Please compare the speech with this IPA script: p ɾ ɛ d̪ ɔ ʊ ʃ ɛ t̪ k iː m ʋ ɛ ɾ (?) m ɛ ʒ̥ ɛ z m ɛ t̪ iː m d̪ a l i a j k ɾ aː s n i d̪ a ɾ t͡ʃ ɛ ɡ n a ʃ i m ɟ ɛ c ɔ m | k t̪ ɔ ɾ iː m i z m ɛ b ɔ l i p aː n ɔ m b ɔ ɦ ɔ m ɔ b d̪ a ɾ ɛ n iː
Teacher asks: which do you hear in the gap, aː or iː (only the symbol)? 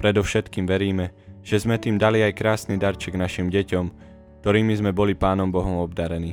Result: iː